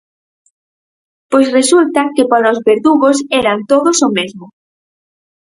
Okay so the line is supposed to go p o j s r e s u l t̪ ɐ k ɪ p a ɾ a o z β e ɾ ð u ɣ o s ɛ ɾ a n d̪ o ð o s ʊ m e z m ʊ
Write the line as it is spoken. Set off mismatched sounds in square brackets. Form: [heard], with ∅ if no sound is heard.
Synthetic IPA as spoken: p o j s r e s u l t̪ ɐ k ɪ p a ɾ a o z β e ɾ ð u ɣ o s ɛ ɾ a n [t̪] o ð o s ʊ m e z m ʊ